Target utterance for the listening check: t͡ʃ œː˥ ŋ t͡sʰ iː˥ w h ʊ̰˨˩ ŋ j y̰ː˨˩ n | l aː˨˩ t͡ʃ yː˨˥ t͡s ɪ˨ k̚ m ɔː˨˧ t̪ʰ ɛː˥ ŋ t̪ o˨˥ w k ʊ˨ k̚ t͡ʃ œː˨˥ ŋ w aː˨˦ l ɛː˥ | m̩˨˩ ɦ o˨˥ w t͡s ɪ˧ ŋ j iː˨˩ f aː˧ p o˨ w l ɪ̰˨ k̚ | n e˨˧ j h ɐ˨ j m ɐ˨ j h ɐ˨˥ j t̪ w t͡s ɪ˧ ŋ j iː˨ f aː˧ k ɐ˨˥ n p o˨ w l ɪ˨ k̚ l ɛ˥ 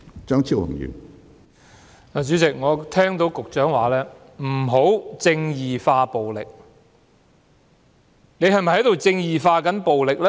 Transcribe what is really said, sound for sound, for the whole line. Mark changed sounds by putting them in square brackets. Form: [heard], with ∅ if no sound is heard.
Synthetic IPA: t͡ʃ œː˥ ŋ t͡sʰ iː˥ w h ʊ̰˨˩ ŋ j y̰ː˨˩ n | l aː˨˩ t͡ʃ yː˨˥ t͡s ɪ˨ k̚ [ŋ] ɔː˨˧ t̪ʰ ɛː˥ ŋ t̪ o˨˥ w k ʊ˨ k̚ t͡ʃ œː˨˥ ŋ w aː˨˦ l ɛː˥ | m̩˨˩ ɦ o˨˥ w t͡s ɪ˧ ŋ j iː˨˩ f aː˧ p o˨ w l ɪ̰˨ k̚ | n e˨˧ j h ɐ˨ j m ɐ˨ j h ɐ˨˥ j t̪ w t͡s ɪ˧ ŋ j iː˨ f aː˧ k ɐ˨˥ n p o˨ w l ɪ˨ k̚ l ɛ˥